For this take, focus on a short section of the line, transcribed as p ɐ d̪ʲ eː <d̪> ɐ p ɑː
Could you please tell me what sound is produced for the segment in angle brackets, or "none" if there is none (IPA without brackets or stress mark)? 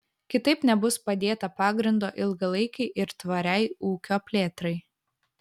t̪